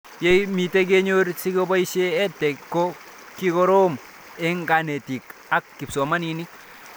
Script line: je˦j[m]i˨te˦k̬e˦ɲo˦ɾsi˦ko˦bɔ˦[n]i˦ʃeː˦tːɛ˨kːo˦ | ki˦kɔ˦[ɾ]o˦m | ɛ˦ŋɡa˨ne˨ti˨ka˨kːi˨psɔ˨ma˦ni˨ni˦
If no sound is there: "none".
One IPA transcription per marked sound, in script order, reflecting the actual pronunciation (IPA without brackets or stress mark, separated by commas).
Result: m, none, ɾ